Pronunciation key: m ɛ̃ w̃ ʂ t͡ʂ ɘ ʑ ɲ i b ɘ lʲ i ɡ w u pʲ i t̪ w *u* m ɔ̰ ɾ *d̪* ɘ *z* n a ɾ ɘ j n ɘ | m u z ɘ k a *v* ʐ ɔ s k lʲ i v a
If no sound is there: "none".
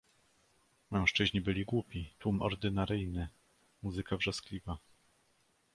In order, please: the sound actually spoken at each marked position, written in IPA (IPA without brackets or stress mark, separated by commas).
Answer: u, d̪, none, v